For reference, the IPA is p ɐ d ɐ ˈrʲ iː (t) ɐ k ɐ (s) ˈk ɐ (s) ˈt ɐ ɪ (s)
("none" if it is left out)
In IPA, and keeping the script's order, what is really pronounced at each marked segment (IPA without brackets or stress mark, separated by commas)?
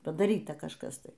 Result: t, ʃ, s, none